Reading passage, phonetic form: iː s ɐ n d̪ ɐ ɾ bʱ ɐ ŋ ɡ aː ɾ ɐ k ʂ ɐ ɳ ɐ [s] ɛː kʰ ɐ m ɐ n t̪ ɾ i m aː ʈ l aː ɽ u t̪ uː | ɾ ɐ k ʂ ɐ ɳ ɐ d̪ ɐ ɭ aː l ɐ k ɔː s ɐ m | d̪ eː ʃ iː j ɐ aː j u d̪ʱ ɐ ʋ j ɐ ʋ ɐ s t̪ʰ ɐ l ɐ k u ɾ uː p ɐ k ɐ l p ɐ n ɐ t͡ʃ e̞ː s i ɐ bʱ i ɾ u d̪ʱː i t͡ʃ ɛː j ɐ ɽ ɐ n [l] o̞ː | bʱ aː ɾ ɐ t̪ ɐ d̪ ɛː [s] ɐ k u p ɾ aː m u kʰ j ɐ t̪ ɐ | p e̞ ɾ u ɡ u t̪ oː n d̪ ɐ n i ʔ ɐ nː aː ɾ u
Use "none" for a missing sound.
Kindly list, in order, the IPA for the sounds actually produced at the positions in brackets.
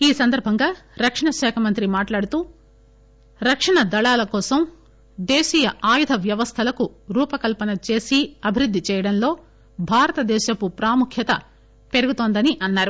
ʃ, l, ʃ

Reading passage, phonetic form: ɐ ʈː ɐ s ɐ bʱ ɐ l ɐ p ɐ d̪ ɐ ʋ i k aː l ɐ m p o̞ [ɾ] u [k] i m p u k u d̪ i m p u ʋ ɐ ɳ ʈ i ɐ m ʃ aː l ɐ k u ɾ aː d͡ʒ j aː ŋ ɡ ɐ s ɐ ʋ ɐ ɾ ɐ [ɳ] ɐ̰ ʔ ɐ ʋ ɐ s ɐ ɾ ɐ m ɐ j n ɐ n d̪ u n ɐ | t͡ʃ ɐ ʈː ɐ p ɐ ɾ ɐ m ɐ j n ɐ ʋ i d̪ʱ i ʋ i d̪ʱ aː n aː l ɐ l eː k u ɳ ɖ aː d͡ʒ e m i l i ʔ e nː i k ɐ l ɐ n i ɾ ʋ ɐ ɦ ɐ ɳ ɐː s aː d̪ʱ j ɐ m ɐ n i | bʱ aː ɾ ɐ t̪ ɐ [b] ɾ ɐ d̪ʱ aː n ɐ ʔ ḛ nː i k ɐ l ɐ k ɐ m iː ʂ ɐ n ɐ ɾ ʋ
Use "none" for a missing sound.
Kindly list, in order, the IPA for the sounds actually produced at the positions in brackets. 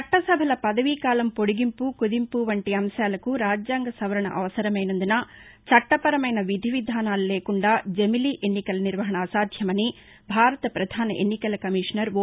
ɽ, ɡ, ɳ, p

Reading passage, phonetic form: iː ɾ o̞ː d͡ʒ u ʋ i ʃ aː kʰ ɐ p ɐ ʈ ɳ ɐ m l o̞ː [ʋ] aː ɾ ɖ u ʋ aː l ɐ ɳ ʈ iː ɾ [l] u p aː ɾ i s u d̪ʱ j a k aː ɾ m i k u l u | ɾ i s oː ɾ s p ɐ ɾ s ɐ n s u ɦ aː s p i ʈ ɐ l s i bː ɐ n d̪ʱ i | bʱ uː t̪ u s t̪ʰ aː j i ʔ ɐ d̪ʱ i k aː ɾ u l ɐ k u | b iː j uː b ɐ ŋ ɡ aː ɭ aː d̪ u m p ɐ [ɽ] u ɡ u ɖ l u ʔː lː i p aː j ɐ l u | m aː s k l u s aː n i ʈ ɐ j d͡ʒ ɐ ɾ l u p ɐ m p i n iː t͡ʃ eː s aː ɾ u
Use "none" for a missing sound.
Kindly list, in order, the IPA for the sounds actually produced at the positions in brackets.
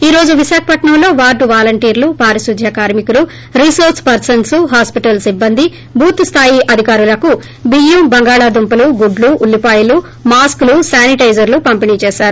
ʋ, l, l

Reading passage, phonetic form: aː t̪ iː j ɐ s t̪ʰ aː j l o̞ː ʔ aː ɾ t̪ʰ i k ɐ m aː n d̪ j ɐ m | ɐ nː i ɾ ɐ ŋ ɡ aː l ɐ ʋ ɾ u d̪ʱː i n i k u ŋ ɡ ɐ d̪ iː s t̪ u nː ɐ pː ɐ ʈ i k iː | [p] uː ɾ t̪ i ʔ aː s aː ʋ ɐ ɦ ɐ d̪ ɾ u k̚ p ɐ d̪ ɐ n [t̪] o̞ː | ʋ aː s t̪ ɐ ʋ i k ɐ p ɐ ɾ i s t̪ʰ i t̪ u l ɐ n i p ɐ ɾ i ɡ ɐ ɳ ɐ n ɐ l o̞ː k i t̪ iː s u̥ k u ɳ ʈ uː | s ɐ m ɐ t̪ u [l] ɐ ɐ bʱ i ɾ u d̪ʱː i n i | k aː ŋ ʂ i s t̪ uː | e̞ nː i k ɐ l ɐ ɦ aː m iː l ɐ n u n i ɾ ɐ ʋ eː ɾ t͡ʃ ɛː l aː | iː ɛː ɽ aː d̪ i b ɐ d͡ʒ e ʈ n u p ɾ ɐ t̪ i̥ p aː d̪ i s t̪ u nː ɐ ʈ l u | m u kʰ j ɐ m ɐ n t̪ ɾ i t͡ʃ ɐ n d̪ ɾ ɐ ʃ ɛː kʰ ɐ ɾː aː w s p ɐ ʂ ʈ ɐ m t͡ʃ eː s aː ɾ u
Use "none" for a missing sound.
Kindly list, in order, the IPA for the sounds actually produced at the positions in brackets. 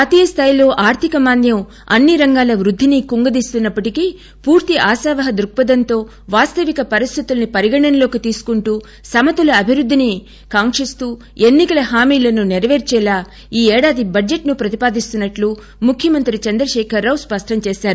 p, t̪, l

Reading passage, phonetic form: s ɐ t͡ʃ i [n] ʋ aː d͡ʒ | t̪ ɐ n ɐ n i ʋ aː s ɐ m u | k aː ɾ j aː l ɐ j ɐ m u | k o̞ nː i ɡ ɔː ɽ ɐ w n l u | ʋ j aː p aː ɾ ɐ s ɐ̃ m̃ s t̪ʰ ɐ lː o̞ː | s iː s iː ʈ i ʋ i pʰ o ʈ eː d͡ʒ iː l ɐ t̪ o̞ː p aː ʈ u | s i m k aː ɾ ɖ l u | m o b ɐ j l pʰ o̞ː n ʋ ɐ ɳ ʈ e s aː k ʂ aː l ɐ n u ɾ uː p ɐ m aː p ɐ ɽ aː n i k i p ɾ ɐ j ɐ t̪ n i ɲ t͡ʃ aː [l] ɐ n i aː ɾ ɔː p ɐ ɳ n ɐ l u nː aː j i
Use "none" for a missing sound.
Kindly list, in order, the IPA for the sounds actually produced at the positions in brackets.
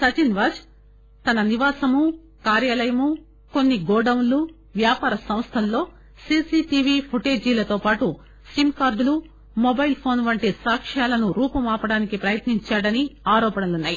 n, ɽ

